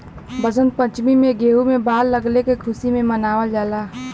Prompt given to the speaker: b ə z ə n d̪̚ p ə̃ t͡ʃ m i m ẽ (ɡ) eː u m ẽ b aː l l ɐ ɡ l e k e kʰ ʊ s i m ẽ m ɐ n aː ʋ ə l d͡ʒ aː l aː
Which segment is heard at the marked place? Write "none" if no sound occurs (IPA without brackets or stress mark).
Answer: ɡ